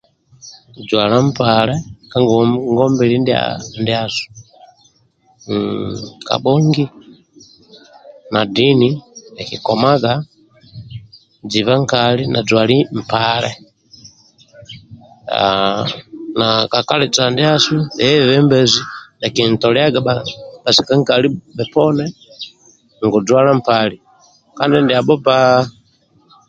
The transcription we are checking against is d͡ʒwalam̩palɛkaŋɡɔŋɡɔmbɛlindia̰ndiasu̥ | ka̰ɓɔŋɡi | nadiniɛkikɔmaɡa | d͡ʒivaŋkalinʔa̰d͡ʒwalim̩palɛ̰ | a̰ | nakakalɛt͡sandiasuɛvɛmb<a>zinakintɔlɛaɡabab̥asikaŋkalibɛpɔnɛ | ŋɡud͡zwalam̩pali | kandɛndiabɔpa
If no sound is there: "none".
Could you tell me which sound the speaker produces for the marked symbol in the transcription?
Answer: ɛ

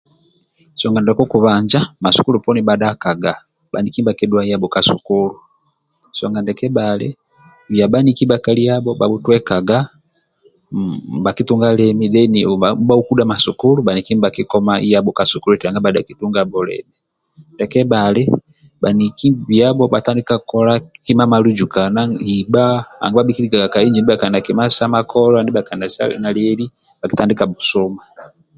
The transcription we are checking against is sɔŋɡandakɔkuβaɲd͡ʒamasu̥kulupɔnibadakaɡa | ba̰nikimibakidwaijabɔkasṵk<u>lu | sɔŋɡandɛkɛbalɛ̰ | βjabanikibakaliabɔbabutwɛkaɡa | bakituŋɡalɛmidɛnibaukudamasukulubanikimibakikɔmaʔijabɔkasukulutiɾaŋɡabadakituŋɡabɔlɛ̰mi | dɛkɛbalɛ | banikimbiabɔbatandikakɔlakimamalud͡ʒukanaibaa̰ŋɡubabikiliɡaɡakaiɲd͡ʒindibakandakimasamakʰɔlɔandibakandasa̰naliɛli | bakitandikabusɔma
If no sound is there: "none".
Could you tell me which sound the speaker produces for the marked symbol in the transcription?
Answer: u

